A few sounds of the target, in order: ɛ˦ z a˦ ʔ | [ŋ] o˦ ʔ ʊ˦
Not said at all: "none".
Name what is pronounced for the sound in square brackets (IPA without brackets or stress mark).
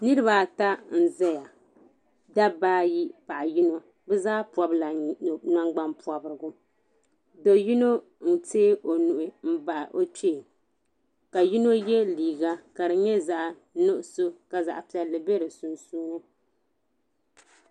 n